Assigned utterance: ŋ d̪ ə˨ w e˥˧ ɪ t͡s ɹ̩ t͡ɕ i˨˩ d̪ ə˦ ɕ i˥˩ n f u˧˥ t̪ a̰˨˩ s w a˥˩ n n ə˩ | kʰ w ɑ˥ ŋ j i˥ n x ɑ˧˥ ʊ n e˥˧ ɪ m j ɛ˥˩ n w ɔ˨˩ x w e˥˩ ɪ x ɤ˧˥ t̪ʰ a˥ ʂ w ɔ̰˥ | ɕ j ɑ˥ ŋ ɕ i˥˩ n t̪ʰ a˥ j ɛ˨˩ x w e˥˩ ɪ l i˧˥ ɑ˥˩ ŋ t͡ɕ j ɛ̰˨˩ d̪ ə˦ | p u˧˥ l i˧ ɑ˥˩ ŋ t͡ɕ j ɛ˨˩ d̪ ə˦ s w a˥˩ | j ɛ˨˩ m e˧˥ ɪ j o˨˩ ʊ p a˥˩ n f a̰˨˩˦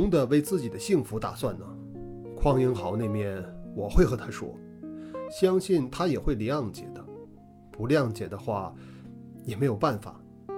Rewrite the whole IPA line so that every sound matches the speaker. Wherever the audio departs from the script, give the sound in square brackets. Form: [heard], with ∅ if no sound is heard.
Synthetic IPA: ŋ d̪ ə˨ w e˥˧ ɪ t͡s ɹ̩ t͡ɕ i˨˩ d̪ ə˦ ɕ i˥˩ [ŋ] f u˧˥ t̪ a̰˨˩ s w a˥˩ n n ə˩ | kʰ w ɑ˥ ŋ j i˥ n x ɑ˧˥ ʊ n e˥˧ ɪ m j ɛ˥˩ n w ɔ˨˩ x w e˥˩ ɪ x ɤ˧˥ t̪ʰ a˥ ʂ w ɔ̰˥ | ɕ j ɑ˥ ŋ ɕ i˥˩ n t̪ʰ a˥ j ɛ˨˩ x w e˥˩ ɪ l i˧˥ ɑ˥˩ ŋ t͡ɕ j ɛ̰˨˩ d̪ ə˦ | p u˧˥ l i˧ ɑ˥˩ ŋ t͡ɕ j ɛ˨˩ d̪ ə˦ [x] w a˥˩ | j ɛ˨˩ m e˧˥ ɪ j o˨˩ ʊ p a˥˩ n f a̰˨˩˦